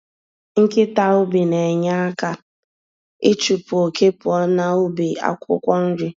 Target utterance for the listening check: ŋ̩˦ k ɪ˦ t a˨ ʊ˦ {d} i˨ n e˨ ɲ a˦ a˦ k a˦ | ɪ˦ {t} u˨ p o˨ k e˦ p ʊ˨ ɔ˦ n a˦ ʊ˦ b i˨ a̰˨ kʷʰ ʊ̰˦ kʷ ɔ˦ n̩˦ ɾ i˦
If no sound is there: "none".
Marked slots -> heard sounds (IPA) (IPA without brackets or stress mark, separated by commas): b, t͡ʃ